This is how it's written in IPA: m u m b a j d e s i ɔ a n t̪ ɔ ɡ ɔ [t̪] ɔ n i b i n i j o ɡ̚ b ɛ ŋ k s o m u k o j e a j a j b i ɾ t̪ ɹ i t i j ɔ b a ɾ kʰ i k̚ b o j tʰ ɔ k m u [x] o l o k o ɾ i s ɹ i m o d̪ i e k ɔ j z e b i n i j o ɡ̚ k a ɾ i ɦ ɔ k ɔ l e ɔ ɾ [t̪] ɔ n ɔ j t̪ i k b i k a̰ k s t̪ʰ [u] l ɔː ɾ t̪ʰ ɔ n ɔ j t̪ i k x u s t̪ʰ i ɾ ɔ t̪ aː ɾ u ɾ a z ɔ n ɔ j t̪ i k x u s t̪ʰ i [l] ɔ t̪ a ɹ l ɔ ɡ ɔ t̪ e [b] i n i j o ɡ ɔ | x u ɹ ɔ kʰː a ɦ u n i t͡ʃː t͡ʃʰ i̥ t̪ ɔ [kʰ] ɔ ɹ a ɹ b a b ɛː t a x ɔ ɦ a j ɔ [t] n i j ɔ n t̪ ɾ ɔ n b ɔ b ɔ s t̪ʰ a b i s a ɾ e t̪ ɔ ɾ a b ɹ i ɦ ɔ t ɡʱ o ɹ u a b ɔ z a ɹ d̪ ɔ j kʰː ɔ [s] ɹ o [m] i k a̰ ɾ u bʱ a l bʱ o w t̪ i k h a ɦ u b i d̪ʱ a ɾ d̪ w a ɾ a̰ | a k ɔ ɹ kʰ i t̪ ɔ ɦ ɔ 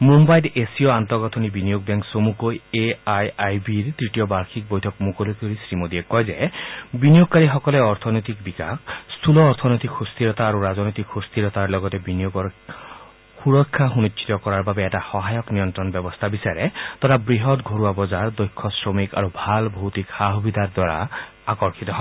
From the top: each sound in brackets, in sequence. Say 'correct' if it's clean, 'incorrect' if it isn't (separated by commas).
incorrect, incorrect, incorrect, correct, incorrect, correct, incorrect, incorrect, correct, correct